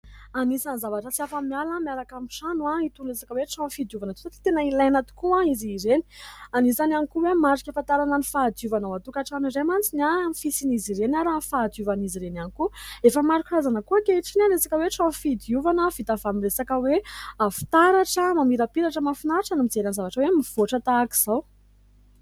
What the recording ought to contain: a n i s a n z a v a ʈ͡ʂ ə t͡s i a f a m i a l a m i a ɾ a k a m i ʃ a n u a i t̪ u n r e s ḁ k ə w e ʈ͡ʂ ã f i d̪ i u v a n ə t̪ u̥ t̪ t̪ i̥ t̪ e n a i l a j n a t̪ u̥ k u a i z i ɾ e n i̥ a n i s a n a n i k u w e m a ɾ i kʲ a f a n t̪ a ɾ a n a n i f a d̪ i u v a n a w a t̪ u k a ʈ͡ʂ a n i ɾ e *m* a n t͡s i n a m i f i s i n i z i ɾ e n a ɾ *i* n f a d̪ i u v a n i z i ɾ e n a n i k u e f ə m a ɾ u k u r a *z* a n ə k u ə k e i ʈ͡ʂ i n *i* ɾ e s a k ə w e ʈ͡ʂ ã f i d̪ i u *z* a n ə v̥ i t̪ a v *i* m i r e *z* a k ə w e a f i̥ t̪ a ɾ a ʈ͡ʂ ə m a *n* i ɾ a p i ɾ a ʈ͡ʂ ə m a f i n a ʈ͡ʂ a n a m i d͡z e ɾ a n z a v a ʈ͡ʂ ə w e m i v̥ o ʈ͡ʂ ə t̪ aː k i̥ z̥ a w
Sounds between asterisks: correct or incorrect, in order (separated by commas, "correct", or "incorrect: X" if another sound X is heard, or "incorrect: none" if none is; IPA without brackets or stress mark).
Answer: correct, incorrect: a, correct, incorrect: a, incorrect: v, incorrect: a, incorrect: s, incorrect: m